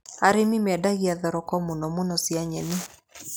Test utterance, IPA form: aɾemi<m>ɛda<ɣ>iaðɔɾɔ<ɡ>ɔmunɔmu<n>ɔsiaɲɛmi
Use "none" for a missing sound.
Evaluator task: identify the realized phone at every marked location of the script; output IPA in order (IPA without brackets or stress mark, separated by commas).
m, ɣ, k, n